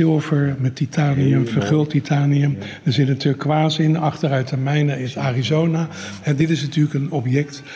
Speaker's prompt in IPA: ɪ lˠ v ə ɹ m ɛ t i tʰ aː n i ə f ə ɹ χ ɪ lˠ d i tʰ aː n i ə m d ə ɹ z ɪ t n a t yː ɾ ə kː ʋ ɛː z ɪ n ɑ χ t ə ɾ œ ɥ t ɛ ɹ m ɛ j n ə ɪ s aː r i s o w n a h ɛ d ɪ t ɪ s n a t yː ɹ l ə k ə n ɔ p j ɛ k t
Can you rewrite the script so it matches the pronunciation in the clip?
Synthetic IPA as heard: ɪ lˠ v ə ɹ m ɛ t i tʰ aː n i ə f ə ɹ χ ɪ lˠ t i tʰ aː n i ə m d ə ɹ z ɪ t n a t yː l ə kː ʋ aː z ɪ n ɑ χ t ə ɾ œ ɥ t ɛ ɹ m ɛ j n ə ɪ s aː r i z o w n a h ɛ d ɪ t ɪ s n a t yː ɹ l ə k ə n ɔ p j ɛ k t